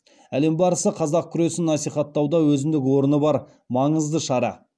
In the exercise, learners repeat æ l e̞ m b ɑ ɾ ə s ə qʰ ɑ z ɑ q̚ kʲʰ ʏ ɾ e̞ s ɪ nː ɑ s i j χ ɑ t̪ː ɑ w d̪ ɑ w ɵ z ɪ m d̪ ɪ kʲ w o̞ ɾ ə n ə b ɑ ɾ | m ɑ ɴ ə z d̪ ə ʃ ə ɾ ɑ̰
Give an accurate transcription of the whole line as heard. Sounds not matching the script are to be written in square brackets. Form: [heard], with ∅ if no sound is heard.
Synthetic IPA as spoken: æ l e̞ m b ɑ ɾ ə s ə qʰ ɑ z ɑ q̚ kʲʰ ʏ ɾ e̞ s ɪ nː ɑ s i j χ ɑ t̪ː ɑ w d̪ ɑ w ɵ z ɪ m d̪ ɪ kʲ w o̞ ɾ ə n ə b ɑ ɾ | m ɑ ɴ ə z d̪ ə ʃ [ɑ] ɾ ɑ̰